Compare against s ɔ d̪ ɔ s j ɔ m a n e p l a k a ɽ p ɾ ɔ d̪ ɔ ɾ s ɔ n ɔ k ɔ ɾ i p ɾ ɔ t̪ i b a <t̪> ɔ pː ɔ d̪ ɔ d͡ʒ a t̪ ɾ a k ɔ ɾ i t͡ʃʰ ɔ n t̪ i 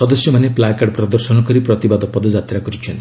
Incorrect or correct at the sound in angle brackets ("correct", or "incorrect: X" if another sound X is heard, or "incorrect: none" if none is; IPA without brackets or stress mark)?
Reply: incorrect: d̪